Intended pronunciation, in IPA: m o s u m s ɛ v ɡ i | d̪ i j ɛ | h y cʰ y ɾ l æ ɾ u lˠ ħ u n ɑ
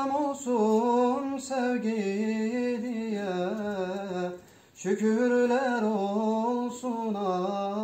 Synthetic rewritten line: m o s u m s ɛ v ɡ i | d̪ i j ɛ | ʃ y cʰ y ɾ l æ ɾ o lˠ s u n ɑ

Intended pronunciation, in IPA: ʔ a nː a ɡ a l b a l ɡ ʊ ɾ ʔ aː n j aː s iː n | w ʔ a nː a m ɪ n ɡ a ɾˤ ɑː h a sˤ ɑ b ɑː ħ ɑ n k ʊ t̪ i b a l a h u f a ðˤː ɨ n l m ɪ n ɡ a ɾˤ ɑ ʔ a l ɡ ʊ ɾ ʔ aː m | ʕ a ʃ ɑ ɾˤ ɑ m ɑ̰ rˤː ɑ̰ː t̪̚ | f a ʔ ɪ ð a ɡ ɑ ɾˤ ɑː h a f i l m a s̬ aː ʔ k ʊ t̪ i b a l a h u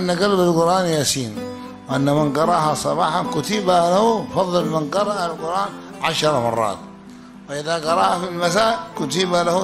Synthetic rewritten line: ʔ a nː a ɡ a l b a l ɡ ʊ ɾ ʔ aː n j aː s iː n | w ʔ a nː a m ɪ n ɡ ɑ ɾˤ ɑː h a sˤ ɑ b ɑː ħ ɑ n k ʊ t̪ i b a l a h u f ɑ ðˤː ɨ l m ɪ n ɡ ɑ ɾˤ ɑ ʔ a l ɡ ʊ ɾ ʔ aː n | ʕ a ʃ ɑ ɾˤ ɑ m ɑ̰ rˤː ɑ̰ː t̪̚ | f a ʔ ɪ ð a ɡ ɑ ɾˤ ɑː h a f i l m a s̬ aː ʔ k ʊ t̪ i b a l a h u

